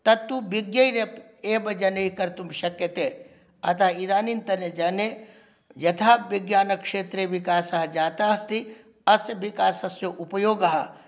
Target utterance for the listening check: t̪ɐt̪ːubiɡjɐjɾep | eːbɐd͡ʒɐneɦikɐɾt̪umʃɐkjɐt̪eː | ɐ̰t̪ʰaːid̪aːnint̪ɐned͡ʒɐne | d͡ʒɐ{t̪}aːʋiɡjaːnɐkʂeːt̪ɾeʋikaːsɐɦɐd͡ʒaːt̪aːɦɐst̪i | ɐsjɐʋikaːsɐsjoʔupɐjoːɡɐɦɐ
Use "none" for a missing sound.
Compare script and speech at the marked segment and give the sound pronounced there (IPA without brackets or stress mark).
t̪ʰ